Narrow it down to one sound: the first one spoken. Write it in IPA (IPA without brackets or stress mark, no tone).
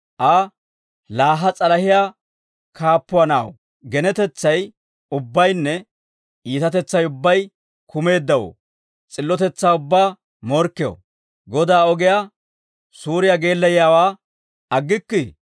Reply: ʔ